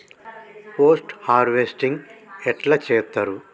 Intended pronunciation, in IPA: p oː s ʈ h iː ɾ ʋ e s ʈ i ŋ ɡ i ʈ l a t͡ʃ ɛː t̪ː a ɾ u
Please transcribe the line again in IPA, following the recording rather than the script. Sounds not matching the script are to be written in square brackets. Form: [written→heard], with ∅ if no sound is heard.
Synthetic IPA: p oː s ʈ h [iː→aː] ɾ ʋ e s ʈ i ŋ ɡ [i→ɛ] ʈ l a t͡ʃ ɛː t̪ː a ɾ u